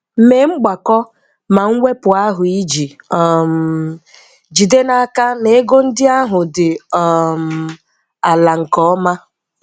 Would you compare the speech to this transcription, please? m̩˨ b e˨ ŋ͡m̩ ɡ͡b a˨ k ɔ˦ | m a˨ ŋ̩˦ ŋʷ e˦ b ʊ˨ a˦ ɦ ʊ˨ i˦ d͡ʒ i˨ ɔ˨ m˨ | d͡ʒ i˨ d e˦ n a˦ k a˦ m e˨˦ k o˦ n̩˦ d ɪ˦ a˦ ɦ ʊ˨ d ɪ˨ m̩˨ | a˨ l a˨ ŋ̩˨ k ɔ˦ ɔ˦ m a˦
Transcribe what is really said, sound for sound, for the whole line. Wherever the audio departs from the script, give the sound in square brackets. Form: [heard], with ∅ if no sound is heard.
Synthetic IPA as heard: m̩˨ [m] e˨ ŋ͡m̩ ɡ͡b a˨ k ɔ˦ | m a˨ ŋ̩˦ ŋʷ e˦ [p] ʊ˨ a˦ ɦ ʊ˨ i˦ d͡ʒ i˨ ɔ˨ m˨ | d͡ʒ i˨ d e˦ n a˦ k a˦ [n] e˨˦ [ɡ] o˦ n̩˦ d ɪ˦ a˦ ɦ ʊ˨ d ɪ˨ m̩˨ | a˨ l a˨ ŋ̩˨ k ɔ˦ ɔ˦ m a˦

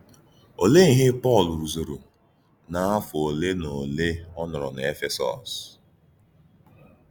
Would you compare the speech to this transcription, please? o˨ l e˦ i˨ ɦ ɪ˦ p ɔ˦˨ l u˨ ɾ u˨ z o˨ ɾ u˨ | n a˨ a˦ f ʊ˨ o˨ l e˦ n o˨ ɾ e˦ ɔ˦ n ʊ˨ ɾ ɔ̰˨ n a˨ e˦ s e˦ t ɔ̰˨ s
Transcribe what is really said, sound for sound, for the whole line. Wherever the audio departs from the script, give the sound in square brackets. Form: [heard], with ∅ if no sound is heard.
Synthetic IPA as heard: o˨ l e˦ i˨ ɦ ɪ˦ p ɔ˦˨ l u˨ ɾ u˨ z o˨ ɾ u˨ | n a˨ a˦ f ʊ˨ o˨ l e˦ n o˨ [l] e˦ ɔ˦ n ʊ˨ ɾ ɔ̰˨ n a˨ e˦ [f] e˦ [s] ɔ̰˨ s

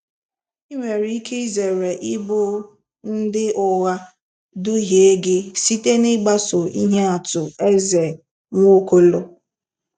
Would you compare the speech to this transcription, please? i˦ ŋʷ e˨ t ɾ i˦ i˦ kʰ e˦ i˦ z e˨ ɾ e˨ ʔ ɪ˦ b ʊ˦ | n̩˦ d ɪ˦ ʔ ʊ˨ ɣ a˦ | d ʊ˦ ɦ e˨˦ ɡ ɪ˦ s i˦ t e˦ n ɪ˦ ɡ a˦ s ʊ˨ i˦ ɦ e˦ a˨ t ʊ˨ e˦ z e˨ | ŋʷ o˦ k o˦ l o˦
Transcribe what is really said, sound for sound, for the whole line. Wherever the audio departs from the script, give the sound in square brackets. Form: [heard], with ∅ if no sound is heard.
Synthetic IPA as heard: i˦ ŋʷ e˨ [∅] ɾ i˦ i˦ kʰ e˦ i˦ z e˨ ɾ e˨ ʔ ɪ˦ b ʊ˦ | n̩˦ d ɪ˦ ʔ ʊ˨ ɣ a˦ | d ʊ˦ ɦ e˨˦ ɡ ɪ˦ s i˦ t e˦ n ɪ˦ [ɡ͡b] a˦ s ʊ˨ i˦ ɦ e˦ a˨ t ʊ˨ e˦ z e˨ | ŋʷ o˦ k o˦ l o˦

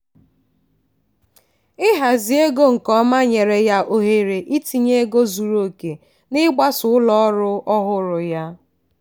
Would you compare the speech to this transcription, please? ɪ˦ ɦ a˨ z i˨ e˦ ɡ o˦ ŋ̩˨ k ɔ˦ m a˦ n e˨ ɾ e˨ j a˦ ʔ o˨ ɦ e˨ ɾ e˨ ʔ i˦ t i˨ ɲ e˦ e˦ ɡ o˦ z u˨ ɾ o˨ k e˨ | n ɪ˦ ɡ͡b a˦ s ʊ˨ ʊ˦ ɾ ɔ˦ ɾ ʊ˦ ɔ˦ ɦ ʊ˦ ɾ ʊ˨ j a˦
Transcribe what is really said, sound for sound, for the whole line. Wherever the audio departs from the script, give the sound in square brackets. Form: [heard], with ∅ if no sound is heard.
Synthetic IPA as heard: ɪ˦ ɦ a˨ z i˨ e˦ ɡ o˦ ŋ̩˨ k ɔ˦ m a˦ [ɲ] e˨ ɾ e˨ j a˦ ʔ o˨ ɦ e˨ ɾ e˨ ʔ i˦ t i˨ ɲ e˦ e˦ ɡ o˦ z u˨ ɾ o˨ k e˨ | n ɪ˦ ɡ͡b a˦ s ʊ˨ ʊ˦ [l] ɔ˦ ɾ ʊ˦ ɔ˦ ɦ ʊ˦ ɾ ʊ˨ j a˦

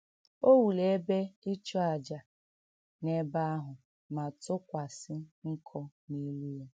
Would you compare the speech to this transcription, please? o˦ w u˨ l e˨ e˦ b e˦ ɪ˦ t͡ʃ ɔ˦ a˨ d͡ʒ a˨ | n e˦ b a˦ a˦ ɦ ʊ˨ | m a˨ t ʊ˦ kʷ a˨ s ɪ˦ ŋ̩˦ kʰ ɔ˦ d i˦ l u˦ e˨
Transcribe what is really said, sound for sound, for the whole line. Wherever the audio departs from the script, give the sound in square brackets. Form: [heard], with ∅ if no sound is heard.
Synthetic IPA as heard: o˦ w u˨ l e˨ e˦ b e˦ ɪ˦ t͡ʃ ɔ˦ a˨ d͡ʒ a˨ | n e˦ b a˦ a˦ ɦ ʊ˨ | m a˨ t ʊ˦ kʷ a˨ s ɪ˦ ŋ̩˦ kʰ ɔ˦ [n] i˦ l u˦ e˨

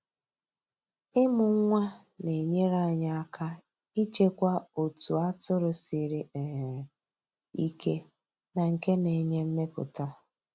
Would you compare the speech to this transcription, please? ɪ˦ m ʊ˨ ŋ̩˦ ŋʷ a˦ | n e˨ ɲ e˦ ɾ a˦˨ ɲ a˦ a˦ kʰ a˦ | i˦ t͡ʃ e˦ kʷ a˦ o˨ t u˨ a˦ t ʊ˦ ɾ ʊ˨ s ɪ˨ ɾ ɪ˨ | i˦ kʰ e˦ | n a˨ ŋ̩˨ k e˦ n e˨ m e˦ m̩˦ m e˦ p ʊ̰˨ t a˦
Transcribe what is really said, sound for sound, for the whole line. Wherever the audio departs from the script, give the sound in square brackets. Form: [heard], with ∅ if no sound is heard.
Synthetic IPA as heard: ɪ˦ m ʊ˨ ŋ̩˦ ŋʷ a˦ | n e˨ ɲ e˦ ɾ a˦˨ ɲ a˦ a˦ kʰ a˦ | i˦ t͡ʃ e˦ kʷ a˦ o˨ t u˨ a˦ t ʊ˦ ɾ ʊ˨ s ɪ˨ ɾ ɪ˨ | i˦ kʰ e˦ | n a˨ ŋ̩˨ k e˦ n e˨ [ɲ] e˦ m̩˦ m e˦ p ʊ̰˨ t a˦

